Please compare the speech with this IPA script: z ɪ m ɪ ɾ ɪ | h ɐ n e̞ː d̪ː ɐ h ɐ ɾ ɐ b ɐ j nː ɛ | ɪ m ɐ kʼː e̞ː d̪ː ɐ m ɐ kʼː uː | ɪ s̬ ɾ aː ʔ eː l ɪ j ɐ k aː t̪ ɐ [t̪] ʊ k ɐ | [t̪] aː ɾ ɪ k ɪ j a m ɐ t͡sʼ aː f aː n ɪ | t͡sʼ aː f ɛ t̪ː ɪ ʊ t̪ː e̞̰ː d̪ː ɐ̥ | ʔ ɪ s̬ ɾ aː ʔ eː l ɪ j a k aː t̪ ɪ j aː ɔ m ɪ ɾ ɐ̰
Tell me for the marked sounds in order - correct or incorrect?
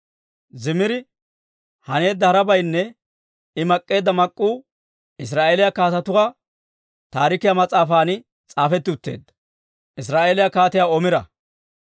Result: correct, correct

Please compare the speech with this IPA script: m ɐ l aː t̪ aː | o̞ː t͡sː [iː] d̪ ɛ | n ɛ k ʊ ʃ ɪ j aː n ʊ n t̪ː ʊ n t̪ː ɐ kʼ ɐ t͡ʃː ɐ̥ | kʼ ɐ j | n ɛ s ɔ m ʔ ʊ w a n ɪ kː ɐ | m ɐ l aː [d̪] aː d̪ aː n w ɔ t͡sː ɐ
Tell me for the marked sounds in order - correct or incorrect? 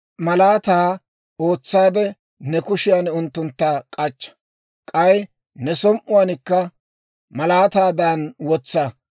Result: incorrect: aː, incorrect: t̪

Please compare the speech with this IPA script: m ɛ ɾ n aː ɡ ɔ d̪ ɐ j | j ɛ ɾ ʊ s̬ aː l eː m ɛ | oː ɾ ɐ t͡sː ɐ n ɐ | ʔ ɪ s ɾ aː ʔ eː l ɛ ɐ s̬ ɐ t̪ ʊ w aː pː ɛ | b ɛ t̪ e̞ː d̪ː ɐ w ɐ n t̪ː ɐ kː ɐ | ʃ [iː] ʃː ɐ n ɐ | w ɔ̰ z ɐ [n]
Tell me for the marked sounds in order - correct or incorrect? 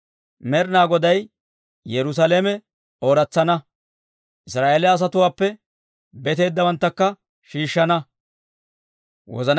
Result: correct, correct

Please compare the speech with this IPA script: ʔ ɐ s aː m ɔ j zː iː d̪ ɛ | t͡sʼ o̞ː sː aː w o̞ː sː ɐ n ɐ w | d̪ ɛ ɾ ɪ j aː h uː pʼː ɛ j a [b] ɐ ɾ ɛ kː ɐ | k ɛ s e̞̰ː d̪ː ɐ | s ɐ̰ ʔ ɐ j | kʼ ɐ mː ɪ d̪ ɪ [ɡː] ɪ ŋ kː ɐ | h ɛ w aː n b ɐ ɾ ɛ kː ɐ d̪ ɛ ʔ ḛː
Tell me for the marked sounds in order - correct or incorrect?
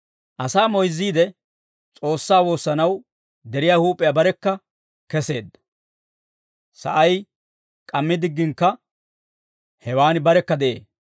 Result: correct, correct

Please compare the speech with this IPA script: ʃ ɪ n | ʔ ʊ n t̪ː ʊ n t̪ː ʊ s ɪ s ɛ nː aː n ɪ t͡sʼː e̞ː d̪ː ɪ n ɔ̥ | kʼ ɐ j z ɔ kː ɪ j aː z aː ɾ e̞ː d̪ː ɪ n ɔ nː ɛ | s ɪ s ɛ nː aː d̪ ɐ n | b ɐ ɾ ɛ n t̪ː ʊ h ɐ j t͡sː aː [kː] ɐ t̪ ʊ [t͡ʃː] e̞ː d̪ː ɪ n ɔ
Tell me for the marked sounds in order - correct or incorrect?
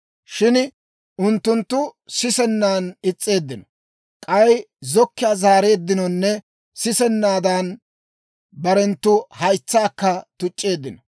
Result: correct, incorrect: t͡ʃʼː

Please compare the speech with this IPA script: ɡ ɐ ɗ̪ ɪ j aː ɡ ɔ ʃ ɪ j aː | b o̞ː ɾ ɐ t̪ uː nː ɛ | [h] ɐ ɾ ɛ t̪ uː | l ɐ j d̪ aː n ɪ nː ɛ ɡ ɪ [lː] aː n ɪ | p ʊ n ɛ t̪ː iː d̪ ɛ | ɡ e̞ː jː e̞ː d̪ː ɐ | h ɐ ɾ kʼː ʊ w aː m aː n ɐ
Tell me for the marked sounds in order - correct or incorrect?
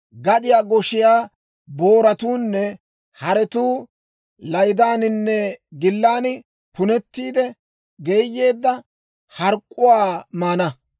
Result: correct, correct

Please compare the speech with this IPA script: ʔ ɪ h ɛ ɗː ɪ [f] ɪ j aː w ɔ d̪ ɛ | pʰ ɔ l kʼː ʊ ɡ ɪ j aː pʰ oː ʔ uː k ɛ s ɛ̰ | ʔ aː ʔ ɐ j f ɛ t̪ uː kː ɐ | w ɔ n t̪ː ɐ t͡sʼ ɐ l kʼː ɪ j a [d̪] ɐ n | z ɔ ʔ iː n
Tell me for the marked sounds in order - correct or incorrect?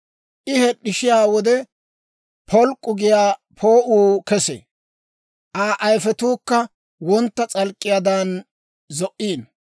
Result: incorrect: ʃ, correct

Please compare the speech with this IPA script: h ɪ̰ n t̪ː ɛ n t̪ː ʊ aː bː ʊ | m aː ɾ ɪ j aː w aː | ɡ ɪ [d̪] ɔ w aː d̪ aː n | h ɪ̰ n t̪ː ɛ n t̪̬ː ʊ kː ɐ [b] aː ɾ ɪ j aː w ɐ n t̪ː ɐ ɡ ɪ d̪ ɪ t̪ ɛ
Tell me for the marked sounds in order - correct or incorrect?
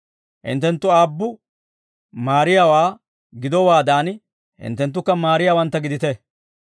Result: correct, incorrect: m

